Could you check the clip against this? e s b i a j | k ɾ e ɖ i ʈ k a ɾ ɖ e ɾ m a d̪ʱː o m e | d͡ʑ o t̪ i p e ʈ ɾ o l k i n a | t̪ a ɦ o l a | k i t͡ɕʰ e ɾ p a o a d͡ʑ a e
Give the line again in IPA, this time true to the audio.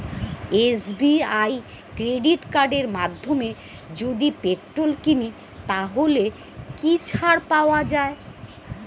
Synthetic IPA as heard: e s b i a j | k ɾ e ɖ i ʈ k a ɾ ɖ e ɾ m a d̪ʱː o m e | d͡ʑ o d̪ i p e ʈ ɾ o l k i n i | t̪ a ɦ o l e | k i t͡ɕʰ a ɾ p a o a d͡ʑ a e